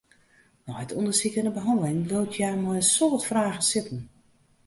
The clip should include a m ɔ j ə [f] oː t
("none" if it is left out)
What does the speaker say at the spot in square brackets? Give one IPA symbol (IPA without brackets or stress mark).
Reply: s